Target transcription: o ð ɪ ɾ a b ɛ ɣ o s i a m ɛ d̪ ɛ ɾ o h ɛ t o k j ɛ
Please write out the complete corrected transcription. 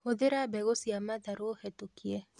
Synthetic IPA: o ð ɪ ɾ a b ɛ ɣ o s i a m a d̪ a ɾ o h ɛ t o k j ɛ